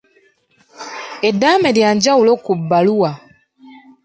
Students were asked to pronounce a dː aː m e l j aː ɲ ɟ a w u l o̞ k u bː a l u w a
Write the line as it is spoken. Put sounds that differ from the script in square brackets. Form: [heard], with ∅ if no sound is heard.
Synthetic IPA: [e] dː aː m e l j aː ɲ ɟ a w u l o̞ k u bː a l u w a